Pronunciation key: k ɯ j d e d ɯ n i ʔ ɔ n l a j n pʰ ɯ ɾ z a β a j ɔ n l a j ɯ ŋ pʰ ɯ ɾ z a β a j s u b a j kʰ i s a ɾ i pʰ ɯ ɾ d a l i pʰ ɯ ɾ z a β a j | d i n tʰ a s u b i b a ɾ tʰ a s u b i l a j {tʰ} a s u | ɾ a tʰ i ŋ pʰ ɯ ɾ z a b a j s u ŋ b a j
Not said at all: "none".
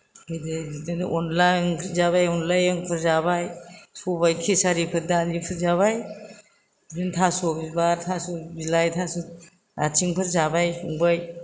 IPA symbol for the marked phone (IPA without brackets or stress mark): tʰ